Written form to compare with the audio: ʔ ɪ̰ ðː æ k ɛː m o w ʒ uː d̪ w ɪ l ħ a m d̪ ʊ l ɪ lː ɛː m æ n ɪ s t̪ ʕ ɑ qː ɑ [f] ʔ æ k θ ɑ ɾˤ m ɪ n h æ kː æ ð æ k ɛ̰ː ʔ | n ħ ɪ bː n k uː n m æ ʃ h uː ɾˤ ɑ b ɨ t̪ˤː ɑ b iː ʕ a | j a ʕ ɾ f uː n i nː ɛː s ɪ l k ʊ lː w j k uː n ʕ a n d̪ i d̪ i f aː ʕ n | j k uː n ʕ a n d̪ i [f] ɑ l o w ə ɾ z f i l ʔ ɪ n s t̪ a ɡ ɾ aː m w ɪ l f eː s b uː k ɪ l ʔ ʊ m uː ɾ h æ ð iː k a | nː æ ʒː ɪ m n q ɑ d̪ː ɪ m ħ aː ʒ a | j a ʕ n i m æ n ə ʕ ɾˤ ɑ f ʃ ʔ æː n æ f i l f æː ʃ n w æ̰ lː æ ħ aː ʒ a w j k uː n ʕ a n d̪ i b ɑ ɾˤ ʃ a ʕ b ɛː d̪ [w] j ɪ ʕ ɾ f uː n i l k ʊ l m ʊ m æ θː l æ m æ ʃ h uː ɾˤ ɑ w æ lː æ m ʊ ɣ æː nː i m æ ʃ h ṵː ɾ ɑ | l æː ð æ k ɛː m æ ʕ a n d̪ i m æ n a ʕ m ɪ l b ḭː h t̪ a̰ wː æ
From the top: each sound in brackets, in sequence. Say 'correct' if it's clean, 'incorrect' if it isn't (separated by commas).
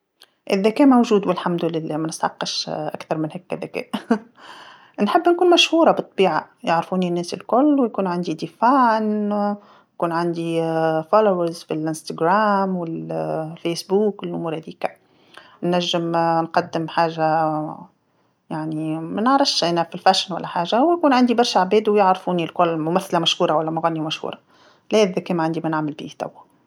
incorrect, correct, correct